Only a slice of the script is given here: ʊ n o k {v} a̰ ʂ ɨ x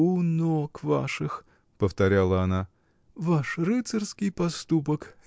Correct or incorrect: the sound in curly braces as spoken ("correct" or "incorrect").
correct